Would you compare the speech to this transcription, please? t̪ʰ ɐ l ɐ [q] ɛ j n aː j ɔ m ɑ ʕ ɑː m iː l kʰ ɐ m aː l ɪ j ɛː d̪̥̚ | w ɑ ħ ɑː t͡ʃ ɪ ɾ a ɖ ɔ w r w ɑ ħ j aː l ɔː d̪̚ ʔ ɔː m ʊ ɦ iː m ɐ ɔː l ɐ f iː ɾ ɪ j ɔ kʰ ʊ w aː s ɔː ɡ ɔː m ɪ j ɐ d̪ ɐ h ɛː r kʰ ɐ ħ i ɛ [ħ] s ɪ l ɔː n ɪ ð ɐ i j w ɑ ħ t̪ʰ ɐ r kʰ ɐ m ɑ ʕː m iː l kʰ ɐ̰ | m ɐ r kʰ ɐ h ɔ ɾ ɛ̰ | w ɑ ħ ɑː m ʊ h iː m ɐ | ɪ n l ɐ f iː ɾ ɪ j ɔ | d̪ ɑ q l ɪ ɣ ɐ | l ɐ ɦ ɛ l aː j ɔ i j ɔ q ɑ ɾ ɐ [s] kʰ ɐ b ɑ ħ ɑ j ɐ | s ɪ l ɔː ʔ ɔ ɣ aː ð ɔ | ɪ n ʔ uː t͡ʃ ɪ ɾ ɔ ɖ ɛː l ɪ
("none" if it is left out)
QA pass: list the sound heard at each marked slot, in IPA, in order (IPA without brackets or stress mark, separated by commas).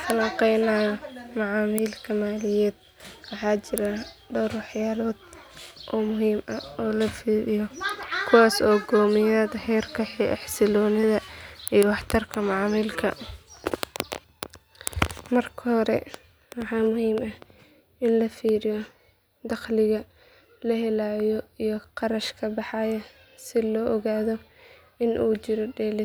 q, ħ, ʃ